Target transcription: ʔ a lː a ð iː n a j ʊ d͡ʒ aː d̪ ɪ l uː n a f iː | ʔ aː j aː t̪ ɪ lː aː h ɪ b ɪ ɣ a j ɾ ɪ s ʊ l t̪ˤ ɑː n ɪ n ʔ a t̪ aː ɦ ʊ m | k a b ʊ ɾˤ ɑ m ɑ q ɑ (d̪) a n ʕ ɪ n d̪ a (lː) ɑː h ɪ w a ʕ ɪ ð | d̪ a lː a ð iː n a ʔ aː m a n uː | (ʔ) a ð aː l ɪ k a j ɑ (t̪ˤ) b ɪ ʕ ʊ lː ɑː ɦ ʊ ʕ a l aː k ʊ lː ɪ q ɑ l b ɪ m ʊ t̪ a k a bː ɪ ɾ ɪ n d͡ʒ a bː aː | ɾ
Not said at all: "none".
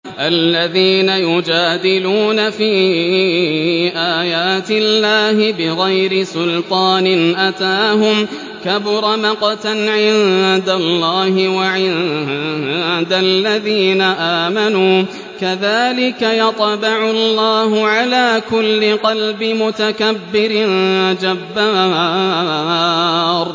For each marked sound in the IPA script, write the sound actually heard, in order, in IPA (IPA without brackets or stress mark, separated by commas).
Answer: t̪, lː, k, t̪ˤ